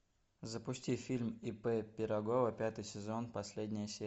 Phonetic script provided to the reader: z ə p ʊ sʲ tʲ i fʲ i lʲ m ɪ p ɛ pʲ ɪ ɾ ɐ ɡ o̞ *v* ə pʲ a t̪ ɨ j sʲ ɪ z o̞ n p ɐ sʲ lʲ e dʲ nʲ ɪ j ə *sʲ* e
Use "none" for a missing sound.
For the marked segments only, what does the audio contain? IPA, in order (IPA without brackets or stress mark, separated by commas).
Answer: v, sʲ